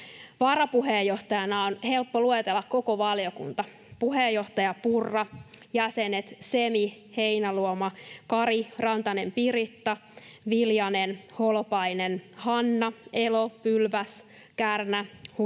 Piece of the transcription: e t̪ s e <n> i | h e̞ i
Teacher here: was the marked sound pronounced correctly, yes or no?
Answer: no